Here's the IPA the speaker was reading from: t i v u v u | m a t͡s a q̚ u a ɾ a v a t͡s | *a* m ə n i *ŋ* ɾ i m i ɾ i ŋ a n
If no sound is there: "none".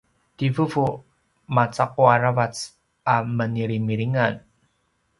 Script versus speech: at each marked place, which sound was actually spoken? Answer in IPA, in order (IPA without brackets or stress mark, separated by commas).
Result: a, none